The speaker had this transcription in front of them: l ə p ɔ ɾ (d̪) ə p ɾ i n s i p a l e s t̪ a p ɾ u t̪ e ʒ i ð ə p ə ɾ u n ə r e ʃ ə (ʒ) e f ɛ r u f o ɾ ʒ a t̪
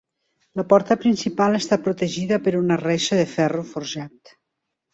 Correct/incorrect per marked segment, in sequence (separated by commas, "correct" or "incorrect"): incorrect, incorrect